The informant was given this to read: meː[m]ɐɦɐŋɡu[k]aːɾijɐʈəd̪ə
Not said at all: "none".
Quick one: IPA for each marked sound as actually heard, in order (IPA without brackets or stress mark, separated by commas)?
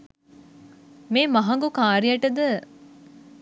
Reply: m, k